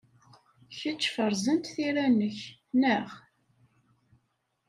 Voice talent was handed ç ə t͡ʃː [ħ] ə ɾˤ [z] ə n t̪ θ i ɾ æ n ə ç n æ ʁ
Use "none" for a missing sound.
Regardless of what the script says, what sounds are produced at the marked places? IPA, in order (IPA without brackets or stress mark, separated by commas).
f, z